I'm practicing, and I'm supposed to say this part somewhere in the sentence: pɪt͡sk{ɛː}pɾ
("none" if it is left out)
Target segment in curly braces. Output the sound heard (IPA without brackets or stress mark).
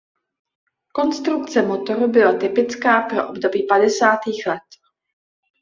aː